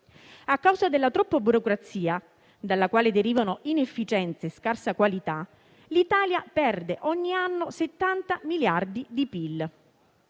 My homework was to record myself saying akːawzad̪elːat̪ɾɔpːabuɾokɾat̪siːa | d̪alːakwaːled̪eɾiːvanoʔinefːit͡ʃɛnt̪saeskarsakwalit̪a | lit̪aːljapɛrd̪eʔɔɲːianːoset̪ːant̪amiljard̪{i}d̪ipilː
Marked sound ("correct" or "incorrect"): correct